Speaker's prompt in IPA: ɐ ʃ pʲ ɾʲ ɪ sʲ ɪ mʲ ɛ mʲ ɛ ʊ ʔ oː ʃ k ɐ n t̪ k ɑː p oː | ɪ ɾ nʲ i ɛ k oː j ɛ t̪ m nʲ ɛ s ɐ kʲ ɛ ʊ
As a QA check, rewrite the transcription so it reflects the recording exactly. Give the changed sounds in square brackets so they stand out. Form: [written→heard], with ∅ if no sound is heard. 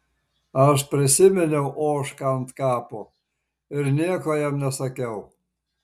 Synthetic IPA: ɐ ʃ pʲ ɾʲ ɪ sʲ ɪ mʲ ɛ [mʲ→nʲ] ɛ ʊ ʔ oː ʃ k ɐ n t̪ k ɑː p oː | ɪ ɾ nʲ i ɛ k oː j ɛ [t̪→∅] m nʲ ɛ s ɐ kʲ ɛ ʊ